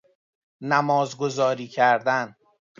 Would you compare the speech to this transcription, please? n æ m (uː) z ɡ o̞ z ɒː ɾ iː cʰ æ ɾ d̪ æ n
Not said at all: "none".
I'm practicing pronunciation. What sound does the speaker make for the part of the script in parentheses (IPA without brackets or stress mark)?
ɒː